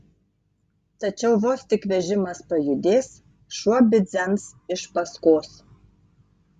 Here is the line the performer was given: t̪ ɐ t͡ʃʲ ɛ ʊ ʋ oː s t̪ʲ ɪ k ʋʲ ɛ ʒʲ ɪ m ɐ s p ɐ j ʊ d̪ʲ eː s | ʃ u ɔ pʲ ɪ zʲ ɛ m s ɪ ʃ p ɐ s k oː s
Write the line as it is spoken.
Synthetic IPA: t̪ ɐ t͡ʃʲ ɛ ʊ ʋ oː s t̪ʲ ɪ k ʋʲ ɛ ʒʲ ɪ m ɐ s p ɐ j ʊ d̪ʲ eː s | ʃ u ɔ bʲ ɪ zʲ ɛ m s ɪ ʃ p ɐ s k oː s